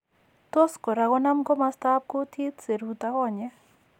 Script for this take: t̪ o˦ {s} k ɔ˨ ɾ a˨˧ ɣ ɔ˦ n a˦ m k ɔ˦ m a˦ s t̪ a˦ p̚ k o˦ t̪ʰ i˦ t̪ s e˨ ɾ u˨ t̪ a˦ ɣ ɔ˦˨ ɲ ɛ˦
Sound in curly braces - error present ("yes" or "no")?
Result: no